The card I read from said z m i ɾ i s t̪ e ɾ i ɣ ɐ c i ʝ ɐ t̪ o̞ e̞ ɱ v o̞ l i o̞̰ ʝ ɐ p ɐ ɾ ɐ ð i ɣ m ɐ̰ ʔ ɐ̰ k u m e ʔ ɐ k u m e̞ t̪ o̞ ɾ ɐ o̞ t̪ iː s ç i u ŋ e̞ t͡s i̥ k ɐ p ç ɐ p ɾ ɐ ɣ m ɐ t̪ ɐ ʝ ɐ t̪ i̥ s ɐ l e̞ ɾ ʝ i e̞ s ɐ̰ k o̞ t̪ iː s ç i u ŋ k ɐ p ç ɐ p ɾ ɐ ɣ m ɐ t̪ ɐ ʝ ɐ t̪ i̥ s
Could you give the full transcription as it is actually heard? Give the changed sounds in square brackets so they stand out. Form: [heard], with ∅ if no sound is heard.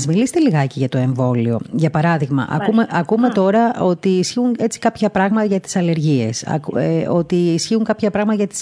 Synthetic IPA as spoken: z m i [l] i s t̪ e [l] i ɣ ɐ c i ʝ ɐ t̪ o̞ e̞ ɱ v o̞ l i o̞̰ ʝ ɐ p ɐ ɾ ɐ ð i ɣ m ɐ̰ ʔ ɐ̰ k u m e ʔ ɐ k u m e̞ t̪ o̞ ɾ ɐ o̞ t̪ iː s ç i u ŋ e̞ t͡s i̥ k ɐ p ç ɐ p ɾ ɐ ɣ m ɐ t̪ ɐ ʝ ɐ t̪ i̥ s ɐ l e̞ ɾ ʝ i e̞ s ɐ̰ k o̞ t̪ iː s ç i u ŋ k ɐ p ç ɐ p ɾ ɐ ɣ m ɐ t̪ ɐ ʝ ɐ t̪ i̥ s